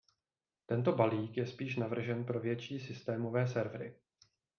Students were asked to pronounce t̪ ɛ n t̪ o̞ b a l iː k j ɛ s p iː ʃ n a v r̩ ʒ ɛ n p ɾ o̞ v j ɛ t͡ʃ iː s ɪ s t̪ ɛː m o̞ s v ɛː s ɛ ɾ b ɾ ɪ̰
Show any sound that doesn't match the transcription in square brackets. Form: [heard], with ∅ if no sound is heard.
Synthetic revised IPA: t̪ ɛ n t̪ o̞ b a l iː k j ɛ s p iː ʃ n a v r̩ ʒ ɛ n p ɾ o̞ v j ɛ t͡ʃ iː s ɪ s t̪ ɛː m o̞ [∅] v ɛː s ɛ ɾ [v] ɾ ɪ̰